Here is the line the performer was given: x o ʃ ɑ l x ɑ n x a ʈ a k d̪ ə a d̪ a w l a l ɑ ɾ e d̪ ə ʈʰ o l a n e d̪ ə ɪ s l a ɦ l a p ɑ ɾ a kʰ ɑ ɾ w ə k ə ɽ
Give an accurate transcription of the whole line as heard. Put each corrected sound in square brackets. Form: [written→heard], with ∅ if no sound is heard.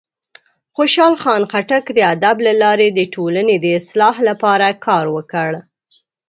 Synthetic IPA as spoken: x o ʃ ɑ l x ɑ n x a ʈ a k d̪ ə a d̪ a [w→b] l a l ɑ ɾ e d̪ ə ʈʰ o l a n e d̪ ə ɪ s l [a→ɑ] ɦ l a p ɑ ɾ a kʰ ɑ ɾ w ə k ə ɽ

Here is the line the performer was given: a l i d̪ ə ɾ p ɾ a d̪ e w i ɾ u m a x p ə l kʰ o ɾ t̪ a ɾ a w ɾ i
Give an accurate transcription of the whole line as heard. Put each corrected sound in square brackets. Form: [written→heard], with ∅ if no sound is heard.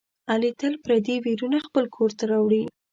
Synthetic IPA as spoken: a l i [d̪→t̪] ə [ɾ→l] p ɾ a d̪ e w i ɾ u [m→n] a x p ə l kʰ o ɾ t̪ a ɾ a w [ɾ→ɽ] i

